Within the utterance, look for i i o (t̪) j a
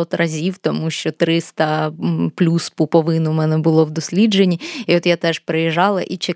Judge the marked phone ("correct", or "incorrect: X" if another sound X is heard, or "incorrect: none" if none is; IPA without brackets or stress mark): correct